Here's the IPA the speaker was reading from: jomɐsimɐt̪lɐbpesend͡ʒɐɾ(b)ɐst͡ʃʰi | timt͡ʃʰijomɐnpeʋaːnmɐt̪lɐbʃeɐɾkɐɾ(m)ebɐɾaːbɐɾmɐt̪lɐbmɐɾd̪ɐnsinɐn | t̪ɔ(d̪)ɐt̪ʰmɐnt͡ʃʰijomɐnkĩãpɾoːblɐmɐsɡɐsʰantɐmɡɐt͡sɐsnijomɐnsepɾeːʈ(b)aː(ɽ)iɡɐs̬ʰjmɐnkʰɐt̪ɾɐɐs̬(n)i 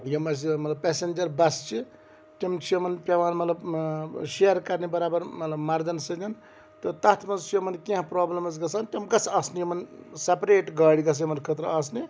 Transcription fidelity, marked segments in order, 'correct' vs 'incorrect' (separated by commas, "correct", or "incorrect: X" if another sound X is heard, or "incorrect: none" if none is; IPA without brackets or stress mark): correct, incorrect: n, incorrect: t̪, incorrect: ɡ, correct, correct